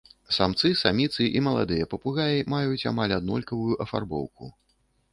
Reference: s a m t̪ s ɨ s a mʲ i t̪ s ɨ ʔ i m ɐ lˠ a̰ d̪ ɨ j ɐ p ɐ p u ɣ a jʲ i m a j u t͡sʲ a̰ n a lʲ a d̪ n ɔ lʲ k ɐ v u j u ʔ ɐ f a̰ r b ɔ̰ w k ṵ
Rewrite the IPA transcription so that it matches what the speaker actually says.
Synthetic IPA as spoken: s a m t̪ s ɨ s a mʲ i t̪ s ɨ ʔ i m ɐ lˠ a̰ d̪ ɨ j ɐ p ɐ p u ɣ a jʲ i m a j u t͡sʲ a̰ m a lʲ a d̪ n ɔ lʲ k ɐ v u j u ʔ ɐ f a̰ r b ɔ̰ w k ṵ